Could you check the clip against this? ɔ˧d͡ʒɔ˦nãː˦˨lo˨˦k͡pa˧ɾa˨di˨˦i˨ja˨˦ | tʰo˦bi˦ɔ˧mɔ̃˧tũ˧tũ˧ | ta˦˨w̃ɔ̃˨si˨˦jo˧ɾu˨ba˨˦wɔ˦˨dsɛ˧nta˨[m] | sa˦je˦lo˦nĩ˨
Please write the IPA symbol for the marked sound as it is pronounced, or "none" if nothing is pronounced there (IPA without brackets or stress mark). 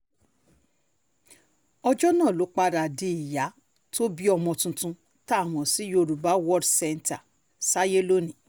none